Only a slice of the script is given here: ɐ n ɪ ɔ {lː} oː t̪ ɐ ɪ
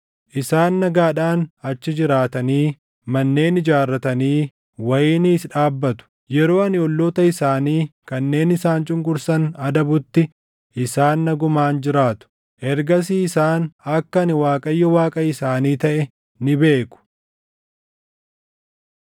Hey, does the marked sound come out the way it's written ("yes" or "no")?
yes